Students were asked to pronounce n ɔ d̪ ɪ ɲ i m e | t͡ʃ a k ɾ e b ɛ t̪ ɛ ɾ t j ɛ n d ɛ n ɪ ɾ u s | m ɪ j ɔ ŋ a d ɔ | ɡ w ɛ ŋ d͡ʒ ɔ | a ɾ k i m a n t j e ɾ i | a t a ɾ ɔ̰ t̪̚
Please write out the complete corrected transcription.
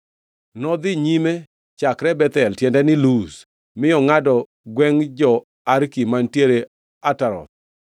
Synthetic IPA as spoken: n ɔ d̪ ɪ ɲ i m e | t͡ʃ a k ɾ ɛ b ɛ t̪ ɛ l t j ɛ n d ɛ n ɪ l u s | m ɪ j ɔ ŋ a d ɔ | ɡ w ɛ ŋ d͡ʒ ɔ | a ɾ k i m a n t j e ɾ e | a t a ɾ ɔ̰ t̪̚